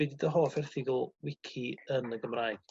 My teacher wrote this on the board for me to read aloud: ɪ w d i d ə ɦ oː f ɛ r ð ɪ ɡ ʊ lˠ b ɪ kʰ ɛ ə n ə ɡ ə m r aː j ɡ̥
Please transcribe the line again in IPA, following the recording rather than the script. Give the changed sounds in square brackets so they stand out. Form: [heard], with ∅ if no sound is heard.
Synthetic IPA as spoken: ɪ [∅] d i d ə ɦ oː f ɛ r [θ] ɪ ɡ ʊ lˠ [w] ɪ kʰ [i] ə n ə ɡ ə m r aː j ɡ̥